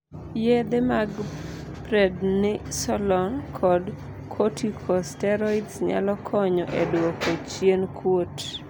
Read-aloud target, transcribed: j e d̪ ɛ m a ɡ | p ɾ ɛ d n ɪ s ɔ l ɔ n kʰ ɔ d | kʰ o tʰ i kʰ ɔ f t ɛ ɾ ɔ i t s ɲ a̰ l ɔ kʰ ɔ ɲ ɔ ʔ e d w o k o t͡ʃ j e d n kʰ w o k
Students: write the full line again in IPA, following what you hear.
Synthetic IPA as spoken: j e d̪ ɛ m a ɡ | p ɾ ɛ d n ɪ s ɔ l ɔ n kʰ ɔ d | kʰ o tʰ i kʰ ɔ s t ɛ ɾ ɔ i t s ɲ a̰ l ɔ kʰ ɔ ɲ ɔ ʔ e d w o k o t͡ʃ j e n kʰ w o t